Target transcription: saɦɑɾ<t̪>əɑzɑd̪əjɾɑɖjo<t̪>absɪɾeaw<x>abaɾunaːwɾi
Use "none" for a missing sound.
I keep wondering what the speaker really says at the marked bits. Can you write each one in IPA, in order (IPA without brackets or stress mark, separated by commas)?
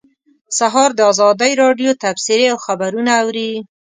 d̪, t̪, x